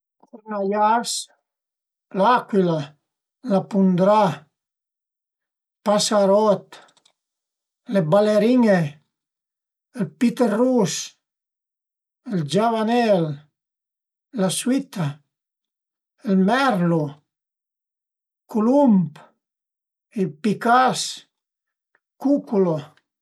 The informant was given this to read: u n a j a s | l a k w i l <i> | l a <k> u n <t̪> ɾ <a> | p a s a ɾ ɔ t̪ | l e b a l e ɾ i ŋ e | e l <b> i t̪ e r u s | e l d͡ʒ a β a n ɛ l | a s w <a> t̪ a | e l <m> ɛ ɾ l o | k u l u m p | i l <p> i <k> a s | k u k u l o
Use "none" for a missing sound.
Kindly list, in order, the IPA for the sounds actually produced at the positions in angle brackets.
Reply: a, p, d̪, a, p, i, m, p, k

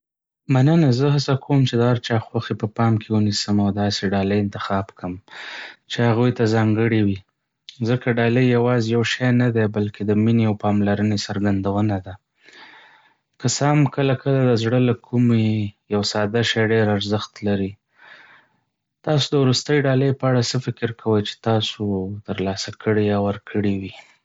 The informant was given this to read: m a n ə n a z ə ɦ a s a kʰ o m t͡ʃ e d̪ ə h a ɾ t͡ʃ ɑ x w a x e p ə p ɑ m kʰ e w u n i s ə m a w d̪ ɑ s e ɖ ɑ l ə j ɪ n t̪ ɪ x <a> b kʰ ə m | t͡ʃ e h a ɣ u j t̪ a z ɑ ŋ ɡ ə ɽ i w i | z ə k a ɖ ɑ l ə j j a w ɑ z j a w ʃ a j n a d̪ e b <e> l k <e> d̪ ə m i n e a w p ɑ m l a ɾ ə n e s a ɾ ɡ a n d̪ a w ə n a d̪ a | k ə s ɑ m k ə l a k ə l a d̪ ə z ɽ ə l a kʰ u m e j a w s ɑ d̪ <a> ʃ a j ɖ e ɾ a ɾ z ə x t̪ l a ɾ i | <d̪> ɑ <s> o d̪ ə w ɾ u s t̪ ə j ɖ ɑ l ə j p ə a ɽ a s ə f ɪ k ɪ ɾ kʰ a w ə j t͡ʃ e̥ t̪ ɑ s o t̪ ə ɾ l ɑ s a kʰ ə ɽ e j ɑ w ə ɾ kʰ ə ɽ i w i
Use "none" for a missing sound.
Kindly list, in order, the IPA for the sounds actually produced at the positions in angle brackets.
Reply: ɑ, a, e, a, t̪, s

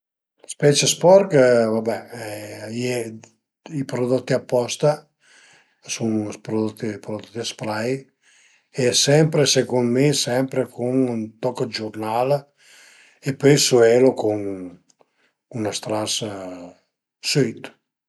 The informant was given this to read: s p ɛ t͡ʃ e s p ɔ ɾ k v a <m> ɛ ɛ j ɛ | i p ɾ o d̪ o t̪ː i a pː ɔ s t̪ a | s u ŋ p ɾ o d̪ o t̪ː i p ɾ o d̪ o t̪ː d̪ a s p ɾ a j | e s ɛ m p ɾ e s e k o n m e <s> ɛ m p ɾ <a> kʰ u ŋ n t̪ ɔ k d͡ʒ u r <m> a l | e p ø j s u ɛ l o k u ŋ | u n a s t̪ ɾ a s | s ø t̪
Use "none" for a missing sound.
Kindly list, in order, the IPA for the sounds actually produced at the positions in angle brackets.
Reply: b, s, e, n

